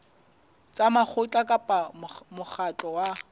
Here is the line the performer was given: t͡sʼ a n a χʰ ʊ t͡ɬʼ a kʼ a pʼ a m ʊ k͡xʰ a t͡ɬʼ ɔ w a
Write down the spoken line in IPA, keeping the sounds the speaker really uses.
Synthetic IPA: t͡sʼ a m a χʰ ʊ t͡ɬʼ a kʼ a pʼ a m ʊ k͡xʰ a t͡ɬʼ ɔ w a